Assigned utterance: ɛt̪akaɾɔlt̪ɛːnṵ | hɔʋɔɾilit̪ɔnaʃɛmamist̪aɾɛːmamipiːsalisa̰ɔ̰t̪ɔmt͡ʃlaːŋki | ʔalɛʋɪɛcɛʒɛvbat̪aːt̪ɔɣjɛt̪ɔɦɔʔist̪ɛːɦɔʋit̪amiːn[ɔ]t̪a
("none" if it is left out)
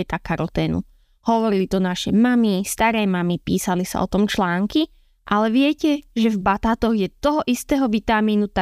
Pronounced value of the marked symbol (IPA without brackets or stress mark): u